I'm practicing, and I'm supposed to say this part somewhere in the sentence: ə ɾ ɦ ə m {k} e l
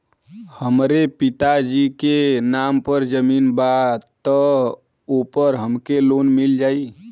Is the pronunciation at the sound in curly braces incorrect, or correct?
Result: correct